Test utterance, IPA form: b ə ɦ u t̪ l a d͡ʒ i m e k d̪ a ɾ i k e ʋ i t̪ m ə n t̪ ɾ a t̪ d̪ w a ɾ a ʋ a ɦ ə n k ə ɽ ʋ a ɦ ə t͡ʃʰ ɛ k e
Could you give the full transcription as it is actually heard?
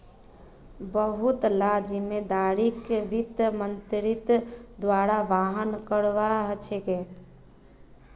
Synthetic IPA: b ə ɦ u t̪ l a d͡ʒ i m e d̪ a ɾ i k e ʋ i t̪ m ə n t̪ ɾ i t̪ d̪ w a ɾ a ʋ a ɦ ə n k ə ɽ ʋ a ɦ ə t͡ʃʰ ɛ k e